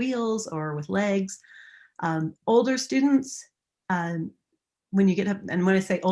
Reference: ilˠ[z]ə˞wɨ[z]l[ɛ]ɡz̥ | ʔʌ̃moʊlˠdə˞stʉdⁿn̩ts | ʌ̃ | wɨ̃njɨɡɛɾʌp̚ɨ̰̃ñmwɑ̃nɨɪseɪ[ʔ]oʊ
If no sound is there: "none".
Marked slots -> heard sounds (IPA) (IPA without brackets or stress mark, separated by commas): z, ð, ɛ, ʔ